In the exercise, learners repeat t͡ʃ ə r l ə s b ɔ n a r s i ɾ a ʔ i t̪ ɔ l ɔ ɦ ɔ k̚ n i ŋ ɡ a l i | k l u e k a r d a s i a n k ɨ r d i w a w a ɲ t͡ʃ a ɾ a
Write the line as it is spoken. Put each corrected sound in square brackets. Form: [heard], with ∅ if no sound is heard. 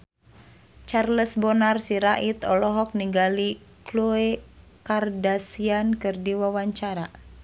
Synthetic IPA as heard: t͡ʃ [a] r l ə s b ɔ n a r s i ɾ a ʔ i t̪ ɔ l ɔ ɦ ɔ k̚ n i ŋ ɡ a l i | k l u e k a r d a s i a n k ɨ r d i w a w a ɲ t͡ʃ a ɾ a

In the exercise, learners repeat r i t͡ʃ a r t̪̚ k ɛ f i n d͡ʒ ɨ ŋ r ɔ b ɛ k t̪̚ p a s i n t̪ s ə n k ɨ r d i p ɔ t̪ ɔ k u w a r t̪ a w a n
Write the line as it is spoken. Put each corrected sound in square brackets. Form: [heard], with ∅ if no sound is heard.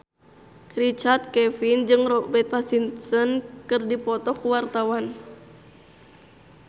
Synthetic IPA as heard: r i t͡ʃ a r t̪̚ k ɛ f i n d͡ʒ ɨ ŋ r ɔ b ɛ [∅] t̪̚ p a s i n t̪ s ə n k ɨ r d i p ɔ t̪ ɔ k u w a r t̪ a w a n

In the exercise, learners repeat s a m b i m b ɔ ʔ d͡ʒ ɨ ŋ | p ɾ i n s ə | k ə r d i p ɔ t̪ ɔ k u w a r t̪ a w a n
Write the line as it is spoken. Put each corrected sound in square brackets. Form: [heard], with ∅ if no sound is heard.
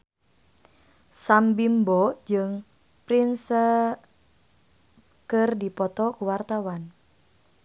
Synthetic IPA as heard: s a m b i m b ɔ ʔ d͡ʒ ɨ ŋ | p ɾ i n s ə | k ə r d i p ɔ t̪ ɔ k u w a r t̪ a w a n

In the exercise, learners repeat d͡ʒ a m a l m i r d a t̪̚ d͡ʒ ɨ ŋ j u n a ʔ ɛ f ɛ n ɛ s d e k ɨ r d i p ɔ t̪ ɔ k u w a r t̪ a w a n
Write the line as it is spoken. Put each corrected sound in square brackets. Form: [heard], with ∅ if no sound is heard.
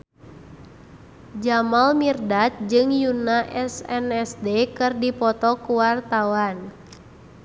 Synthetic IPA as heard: d͡ʒ a m a l m i r d a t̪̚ d͡ʒ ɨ ŋ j u n a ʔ ɛ [s] ɛ n ɛ s d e k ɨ r d i p ɔ t̪ ɔ k u w a r t̪ a w a n

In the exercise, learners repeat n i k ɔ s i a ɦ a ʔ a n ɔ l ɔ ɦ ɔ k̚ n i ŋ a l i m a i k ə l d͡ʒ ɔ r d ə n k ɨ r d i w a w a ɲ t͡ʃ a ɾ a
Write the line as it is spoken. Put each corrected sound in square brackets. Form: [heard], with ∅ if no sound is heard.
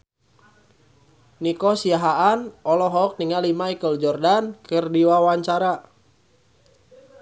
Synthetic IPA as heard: n i k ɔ s i a ɦ a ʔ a n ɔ l ɔ ɦ ɔ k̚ n i ŋ a l i m a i k ə l d͡ʒ ɔ r d [a] n k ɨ r d i w a w a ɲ t͡ʃ a ɾ a

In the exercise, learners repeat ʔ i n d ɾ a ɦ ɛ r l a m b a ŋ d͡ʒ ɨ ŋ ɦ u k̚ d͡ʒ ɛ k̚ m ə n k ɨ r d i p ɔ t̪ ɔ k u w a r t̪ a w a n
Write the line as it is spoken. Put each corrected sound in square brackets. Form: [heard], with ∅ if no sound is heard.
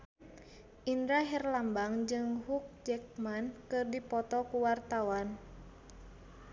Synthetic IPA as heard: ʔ i n d ɾ a ɦ ɛ r l a m b a ŋ d͡ʒ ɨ ŋ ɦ u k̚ d͡ʒ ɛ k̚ m [a] n k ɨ r d i p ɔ t̪ ɔ k u w a r t̪ a w a n

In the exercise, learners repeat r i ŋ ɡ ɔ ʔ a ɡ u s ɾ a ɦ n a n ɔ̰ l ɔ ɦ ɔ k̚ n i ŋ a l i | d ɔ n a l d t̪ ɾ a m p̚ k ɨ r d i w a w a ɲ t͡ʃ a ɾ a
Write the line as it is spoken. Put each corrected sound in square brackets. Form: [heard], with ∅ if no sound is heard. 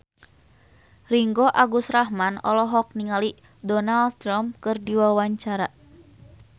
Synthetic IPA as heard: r i ŋ ɡ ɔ ʔ a ɡ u s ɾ a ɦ [m] a n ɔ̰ l ɔ ɦ ɔ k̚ n i ŋ a l i | d ɔ n a l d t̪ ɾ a m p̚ k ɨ r d i w a w a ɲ t͡ʃ a ɾ a

